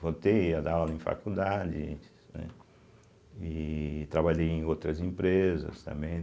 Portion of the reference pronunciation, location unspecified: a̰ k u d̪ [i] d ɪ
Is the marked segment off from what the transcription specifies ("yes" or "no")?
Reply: yes